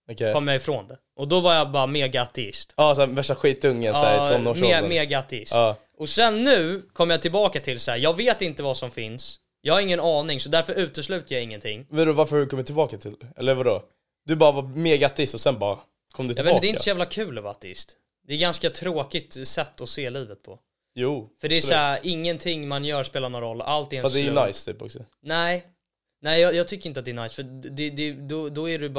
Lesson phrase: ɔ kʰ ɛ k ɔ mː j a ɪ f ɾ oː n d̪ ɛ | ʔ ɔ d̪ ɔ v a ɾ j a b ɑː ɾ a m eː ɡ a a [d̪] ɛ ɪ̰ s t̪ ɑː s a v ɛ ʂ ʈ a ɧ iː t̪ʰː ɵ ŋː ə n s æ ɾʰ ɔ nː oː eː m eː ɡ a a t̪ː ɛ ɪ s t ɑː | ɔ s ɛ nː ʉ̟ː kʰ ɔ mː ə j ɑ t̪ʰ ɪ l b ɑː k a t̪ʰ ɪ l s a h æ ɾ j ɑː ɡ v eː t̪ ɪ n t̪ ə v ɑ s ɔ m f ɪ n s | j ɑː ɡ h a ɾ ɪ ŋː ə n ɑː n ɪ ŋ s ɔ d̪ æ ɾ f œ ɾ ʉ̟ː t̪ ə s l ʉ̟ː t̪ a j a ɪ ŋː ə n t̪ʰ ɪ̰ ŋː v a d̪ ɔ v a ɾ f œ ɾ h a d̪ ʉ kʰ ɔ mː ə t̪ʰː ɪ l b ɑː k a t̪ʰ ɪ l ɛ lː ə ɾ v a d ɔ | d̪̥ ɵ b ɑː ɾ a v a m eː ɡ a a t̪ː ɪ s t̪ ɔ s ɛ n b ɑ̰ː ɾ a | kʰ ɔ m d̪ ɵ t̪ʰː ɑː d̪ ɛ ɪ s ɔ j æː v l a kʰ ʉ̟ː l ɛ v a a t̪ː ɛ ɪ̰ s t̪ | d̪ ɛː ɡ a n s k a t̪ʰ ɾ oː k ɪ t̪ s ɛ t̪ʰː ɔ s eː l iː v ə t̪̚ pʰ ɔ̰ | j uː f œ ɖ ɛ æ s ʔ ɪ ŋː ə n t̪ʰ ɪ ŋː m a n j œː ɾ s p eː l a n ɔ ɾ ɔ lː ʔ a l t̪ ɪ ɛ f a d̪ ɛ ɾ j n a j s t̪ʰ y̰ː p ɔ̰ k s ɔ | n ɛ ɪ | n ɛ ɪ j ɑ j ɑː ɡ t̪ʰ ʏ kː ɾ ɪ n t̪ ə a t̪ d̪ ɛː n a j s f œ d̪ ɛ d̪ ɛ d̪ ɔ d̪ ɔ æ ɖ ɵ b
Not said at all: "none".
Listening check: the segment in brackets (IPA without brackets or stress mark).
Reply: t̪